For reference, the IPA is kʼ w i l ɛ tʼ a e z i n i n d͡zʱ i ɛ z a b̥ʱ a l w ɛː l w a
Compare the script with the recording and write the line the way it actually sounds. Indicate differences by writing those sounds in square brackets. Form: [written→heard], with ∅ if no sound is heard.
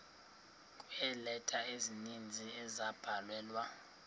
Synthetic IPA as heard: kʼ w [i→ɛ] l ɛ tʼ a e z i n i n d͡zʱ i ɛ z a b̥ʱ a l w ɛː l w a